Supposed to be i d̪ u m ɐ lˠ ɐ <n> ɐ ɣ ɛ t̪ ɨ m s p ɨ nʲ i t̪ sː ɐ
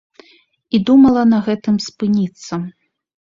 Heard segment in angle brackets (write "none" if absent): n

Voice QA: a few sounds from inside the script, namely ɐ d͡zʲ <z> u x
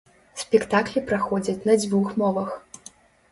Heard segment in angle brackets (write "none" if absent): v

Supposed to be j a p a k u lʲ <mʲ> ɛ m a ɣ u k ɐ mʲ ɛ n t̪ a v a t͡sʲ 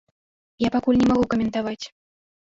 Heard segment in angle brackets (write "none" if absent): nʲ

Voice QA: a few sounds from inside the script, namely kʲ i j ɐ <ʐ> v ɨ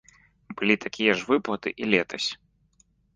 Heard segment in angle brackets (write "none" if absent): ʐ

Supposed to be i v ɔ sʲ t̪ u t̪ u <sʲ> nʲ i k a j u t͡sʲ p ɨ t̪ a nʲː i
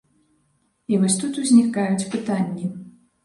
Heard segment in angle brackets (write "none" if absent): zʲ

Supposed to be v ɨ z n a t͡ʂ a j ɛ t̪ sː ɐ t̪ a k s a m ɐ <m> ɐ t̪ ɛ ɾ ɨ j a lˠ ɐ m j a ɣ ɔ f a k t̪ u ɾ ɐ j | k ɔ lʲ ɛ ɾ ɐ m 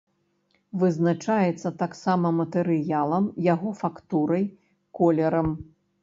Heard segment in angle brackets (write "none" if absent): m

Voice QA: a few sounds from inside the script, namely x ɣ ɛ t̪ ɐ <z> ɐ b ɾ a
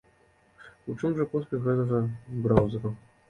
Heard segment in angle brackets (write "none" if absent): ɣ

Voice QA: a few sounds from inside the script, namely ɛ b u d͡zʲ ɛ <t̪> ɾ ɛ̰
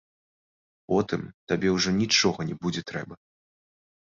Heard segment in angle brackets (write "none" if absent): t̪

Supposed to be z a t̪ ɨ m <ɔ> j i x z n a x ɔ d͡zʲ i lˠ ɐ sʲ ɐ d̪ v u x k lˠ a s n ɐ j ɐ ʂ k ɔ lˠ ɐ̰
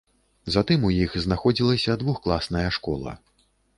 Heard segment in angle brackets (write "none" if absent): u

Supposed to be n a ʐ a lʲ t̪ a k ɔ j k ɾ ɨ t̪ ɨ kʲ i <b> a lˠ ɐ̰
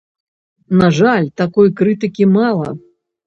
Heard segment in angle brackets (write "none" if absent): m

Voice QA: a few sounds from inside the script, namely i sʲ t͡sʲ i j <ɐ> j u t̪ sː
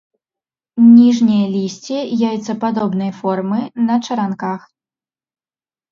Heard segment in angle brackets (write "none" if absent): a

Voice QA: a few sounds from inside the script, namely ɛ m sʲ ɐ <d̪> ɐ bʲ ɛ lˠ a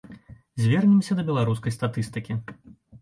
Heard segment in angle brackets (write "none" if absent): d̪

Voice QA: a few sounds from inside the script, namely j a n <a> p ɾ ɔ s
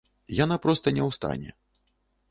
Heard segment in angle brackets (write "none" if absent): a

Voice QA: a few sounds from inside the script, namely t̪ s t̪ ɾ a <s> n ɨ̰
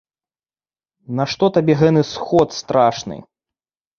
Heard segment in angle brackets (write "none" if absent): ʂ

